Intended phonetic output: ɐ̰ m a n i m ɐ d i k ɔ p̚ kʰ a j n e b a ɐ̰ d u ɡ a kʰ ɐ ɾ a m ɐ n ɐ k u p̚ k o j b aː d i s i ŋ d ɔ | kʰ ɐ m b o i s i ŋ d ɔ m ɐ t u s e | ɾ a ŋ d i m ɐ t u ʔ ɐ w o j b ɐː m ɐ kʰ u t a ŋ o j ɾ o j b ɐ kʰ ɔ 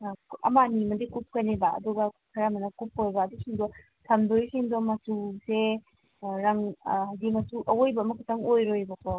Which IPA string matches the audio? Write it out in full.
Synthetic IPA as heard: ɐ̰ m a n i m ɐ d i k u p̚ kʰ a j n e b a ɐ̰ d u ɡ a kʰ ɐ ɾ a m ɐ n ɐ k u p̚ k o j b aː d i s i ŋ d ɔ | tʰ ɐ m d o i s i ŋ d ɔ m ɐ t u s e | ɾ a ŋ d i m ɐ t u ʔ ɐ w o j b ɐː m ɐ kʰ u t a ŋ o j ɾ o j b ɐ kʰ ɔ